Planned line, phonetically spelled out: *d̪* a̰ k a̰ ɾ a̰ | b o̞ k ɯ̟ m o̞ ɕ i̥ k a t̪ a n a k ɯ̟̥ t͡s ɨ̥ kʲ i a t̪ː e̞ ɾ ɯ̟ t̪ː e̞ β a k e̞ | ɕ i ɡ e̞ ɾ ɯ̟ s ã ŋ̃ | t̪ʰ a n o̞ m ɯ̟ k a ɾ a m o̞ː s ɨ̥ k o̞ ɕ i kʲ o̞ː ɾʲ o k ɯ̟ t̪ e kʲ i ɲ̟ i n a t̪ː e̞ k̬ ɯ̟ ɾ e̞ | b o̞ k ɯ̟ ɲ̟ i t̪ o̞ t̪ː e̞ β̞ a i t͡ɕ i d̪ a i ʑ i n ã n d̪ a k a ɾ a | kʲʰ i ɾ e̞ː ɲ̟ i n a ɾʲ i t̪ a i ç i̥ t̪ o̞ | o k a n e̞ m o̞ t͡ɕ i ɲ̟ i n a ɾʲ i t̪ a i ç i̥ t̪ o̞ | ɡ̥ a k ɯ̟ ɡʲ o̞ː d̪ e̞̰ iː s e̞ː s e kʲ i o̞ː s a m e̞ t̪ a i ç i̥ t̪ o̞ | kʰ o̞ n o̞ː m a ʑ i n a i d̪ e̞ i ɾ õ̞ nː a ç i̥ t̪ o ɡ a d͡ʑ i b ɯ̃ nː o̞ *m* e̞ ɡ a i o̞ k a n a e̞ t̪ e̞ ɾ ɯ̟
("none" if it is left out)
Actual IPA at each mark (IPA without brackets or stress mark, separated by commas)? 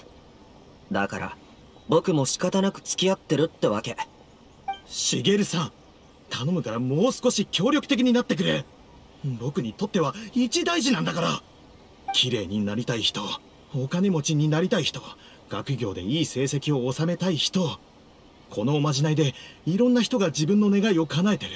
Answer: d̪, n